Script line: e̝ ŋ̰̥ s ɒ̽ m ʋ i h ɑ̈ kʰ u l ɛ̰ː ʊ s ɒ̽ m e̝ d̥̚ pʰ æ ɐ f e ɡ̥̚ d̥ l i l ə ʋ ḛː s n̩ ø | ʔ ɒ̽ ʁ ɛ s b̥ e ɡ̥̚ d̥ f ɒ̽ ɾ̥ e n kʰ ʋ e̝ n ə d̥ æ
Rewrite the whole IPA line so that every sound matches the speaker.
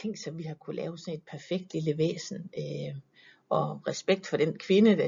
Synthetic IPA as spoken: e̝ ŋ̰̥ s ɒ̽ m ʋ i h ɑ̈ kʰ u l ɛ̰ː ʊ s ɒ̽ n e̝ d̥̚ pʰ æ ɐ f e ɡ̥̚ d̥ l i l ə ʋ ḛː s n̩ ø | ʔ ɒ̽ ʁ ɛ s b̥ e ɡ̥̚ d̥ f ɒ̽ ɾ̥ e n kʰ ʋ e̝ n ə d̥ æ